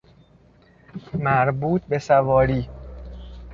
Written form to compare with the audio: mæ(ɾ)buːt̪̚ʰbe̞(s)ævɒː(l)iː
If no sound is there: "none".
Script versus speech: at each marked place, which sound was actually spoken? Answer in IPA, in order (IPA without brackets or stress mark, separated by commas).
ɾ, s, ɾ